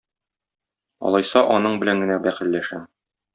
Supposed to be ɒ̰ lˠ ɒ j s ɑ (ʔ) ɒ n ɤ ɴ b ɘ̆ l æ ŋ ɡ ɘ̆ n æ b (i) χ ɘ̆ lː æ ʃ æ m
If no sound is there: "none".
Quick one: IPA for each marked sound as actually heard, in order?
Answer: ʔ, æ

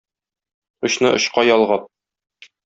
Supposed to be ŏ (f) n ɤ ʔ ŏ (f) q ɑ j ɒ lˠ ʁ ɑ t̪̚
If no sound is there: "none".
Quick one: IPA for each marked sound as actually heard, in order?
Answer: ɕ, ɕ

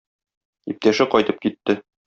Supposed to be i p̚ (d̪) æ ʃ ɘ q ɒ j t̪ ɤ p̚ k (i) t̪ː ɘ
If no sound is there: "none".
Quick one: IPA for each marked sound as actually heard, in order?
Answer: t̪, i

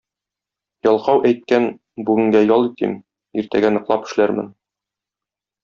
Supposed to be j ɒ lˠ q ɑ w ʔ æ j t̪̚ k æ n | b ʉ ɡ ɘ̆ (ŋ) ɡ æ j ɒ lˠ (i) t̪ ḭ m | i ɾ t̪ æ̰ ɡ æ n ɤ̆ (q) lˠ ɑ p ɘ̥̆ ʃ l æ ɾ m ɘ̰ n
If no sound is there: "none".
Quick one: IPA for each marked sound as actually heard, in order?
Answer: ŋ, i, q

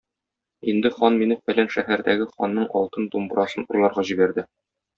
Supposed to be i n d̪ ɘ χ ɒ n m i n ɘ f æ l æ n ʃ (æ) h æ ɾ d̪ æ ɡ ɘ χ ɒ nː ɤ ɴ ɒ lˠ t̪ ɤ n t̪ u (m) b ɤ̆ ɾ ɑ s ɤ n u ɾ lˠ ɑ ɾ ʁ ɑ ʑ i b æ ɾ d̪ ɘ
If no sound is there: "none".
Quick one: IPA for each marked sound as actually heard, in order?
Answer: æ, m

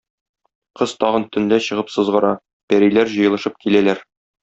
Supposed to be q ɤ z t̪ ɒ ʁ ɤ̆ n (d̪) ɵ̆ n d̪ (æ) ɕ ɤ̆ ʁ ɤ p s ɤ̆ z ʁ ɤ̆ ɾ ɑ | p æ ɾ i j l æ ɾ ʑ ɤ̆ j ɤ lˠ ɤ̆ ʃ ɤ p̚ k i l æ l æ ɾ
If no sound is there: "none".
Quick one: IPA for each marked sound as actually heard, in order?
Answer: t̪, æ

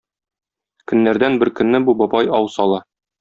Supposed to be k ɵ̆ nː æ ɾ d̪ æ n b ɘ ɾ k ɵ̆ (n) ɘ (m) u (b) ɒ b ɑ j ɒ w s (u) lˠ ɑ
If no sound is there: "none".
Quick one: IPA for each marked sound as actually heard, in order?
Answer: nː, b, b, ɒ

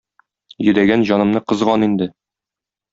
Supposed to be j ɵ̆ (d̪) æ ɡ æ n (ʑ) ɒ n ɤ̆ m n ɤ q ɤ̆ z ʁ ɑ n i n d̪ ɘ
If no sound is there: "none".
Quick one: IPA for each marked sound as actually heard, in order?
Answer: d̪, ʑ

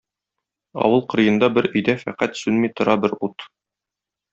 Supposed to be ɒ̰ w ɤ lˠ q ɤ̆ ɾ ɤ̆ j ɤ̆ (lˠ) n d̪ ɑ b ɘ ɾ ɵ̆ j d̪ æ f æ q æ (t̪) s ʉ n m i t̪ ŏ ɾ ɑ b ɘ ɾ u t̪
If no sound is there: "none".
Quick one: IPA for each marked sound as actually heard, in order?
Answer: none, t̪

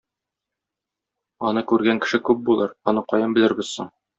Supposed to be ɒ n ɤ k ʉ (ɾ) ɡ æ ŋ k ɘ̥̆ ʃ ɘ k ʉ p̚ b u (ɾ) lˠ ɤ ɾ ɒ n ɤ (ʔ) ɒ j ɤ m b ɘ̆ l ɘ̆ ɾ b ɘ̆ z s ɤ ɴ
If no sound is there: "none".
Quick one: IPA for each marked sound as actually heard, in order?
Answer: ɾ, none, q

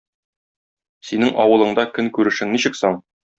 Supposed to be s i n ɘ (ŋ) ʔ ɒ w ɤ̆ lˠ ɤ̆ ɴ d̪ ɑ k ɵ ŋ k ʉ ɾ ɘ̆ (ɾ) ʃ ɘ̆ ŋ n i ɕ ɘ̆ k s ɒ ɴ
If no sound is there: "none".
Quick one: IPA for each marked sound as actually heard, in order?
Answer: ŋ, none

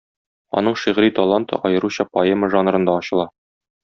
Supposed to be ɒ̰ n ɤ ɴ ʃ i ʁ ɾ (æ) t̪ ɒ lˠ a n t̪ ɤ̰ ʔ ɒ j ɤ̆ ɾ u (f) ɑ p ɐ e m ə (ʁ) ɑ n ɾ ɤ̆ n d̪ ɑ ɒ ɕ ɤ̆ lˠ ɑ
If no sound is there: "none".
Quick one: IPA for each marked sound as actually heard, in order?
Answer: i, ɕ, ʒ

